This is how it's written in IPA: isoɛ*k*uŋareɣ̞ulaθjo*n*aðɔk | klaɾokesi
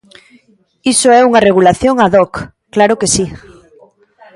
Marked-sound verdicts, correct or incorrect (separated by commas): incorrect, incorrect